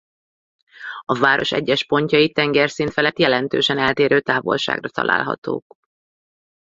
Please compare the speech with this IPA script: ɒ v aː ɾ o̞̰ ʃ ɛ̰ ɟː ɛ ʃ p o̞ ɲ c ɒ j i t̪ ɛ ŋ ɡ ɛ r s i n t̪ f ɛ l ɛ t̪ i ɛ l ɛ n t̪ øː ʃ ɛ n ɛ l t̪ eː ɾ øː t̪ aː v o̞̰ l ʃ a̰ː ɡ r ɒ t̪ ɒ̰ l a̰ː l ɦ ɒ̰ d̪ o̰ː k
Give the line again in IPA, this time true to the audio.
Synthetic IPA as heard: ɒ v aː ɾ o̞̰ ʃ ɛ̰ ɟː ɛ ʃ p o̞ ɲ c ɒ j i t̪ ɛ ŋ ɡ ɛ r s i n t̪ f ɛ l ɛ t̪ j ɛ l ɛ n t̪ øː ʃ ɛ n ɛ l t̪ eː ɾ øː t̪ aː v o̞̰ l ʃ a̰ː ɡ r ɒ t̪ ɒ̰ l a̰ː l ɦ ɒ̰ t̪ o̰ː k